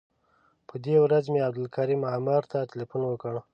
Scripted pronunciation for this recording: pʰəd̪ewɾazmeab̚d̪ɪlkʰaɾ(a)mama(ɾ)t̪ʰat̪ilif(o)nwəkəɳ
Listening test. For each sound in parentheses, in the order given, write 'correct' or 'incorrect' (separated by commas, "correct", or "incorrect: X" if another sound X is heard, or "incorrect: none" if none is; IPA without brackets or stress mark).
incorrect: i, correct, incorrect: u